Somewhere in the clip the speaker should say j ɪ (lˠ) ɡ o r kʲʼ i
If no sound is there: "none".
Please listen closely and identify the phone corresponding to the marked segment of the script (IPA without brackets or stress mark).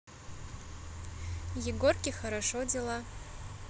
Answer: none